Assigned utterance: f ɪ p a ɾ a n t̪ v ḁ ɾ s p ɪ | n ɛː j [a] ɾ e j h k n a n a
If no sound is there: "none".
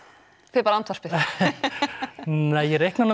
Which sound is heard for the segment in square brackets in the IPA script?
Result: ɛ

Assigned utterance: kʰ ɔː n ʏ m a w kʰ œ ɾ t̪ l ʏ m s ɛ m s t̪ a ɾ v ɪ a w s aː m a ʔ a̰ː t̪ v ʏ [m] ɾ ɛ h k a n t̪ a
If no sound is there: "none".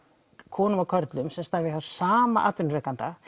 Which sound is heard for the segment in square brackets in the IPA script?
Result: n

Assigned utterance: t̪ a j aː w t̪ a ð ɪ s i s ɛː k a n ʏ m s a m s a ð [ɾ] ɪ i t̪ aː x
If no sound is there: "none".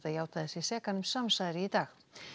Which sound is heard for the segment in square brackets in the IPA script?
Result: ɾ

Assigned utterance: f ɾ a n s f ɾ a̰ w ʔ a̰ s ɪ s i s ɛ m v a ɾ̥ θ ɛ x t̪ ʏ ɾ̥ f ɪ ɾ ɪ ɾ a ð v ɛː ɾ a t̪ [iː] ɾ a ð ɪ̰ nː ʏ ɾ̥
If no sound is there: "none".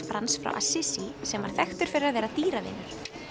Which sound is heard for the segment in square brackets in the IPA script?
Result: iː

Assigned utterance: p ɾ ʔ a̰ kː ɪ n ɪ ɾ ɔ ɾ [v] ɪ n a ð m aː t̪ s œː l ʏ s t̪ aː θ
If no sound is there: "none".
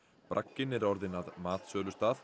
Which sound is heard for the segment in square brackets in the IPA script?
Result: ð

